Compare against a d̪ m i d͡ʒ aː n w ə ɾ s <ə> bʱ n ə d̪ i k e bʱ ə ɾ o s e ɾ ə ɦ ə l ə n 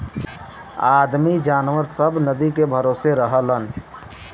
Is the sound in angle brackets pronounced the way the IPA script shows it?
yes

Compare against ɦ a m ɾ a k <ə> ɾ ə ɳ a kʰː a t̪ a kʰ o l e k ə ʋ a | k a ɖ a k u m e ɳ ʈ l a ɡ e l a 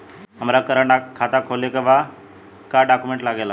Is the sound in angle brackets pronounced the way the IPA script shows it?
yes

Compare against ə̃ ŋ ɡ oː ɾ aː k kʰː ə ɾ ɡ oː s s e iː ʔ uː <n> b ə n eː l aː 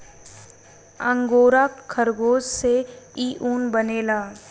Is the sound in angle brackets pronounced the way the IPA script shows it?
yes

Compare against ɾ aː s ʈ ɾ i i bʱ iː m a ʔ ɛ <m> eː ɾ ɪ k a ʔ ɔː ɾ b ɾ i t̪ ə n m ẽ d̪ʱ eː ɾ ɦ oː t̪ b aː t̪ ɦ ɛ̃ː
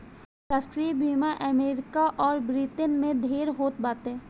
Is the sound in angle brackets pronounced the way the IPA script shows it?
yes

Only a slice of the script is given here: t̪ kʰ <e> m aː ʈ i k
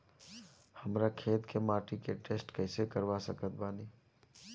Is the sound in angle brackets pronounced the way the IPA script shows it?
yes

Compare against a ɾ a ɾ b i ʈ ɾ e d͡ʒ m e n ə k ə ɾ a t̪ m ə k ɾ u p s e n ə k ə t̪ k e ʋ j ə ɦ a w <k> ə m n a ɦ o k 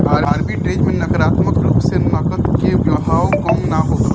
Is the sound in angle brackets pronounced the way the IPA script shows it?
yes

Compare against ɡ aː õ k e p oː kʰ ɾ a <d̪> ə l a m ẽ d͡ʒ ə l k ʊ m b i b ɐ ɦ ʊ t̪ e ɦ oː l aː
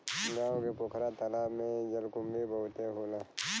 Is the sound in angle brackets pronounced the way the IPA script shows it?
no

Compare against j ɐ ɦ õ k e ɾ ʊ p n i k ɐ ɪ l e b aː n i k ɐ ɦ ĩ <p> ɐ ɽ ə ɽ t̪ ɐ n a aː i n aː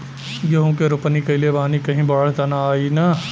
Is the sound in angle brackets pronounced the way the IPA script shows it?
no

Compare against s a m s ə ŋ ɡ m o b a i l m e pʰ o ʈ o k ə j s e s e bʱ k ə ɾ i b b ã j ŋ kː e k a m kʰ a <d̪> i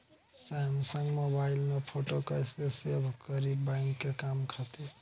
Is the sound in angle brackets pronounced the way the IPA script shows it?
no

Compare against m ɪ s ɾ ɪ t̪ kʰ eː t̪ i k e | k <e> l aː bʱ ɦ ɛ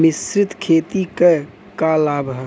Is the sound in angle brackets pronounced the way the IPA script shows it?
no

